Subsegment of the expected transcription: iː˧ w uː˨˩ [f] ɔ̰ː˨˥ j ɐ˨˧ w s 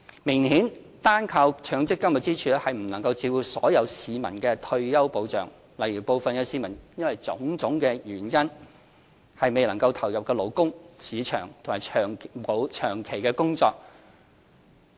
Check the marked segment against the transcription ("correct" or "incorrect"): incorrect